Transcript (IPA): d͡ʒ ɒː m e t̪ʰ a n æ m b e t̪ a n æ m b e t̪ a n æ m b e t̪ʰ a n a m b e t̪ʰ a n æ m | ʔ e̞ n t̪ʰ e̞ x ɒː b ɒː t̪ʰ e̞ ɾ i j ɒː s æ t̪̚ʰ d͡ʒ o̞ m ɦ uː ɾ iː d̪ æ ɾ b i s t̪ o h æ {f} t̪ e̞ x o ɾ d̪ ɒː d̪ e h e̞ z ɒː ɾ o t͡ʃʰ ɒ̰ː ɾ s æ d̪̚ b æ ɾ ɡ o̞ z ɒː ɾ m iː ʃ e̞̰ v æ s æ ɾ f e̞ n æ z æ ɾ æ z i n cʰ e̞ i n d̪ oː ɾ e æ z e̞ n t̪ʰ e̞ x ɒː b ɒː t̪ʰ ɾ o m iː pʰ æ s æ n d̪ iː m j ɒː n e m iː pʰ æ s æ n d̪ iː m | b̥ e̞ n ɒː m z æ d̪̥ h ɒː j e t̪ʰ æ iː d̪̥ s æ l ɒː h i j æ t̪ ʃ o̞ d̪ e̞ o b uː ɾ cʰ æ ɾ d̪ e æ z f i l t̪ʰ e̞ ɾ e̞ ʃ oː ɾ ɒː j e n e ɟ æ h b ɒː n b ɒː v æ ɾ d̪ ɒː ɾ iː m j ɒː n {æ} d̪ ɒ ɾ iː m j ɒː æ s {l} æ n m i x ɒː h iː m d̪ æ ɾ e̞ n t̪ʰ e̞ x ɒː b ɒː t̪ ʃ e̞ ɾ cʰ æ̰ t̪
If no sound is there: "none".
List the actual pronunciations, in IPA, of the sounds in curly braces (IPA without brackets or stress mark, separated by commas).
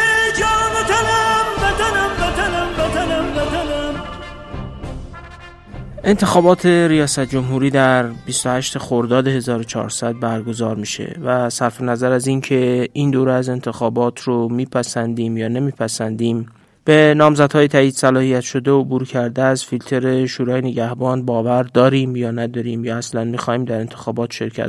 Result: ʃ, æ, l